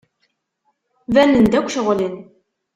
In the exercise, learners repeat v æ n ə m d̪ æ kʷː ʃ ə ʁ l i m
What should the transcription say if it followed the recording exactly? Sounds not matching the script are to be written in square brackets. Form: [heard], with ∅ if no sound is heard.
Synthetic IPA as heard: v æ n ə [n] d̪ æ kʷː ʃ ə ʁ l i [n]